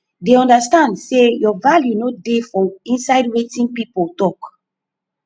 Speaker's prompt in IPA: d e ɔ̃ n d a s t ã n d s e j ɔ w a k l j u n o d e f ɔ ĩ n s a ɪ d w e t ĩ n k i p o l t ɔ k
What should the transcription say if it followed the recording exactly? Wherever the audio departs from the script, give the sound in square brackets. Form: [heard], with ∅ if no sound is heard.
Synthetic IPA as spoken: d e ɔ̃ n d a s t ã n d s e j ɔ [v] a [∅] l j u n o d e f ɔ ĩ n s a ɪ d w e t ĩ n [p] i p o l t ɔ k